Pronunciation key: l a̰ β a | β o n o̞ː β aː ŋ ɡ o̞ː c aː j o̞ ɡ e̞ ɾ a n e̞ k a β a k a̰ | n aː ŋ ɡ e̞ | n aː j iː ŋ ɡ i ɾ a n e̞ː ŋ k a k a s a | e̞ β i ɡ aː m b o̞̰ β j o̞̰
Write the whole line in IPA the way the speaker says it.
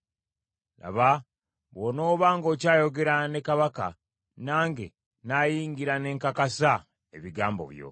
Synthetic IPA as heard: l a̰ β a | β o n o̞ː β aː ŋ ɡ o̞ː c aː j o̞ ɡ e̞ ɾ a n e̞ k a β a k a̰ | n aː ŋ ɡ e̞ | n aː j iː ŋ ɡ i ɾ a n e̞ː ŋ k a k a s a | e̞ β i ɡ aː m b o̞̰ β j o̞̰